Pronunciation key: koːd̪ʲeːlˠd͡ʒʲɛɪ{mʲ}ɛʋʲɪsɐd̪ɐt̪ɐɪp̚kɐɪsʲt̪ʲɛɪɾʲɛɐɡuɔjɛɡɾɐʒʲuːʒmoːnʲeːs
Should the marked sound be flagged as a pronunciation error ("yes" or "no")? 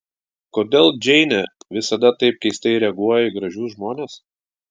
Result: yes